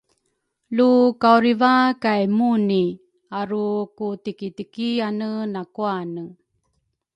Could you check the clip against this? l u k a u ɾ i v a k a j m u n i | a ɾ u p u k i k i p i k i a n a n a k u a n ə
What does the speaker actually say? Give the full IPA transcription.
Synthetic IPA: l u k a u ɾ i v a k a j m u n i | a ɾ u k u t i k i t i k i a n ə n a k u a n ə